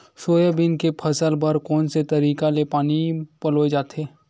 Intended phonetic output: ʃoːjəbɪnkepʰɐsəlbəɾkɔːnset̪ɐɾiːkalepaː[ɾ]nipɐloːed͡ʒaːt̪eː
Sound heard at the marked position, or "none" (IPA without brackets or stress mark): none